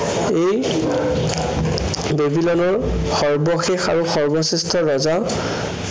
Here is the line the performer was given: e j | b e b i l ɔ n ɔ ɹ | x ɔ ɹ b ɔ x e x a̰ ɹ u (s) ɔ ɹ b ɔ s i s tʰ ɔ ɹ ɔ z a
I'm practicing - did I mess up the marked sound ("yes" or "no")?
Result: yes